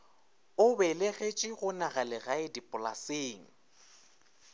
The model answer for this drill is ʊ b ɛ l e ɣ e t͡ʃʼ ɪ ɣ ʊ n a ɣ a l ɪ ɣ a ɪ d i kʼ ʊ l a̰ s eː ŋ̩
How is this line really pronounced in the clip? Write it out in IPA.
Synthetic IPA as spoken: ʊ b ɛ l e ɣ e t͡ʃʼ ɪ ɣ ʊ n a ɣ a l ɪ ɣ a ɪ d i pʼ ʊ l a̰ s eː ŋ̩